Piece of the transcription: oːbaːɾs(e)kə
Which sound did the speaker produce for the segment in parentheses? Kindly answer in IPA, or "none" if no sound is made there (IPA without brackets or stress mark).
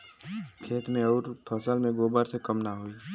e